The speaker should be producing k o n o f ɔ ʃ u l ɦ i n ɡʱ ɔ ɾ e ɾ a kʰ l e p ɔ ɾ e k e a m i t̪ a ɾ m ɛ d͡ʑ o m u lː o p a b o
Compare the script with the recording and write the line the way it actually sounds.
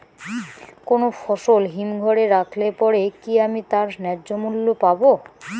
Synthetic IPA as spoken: k o n o f ɔ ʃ o l ɦ i m ɡʱ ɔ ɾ e ɾ a kʰ l e p ɔ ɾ e k i a m i t̪ a ɾ n ɛ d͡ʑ o m u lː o p a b o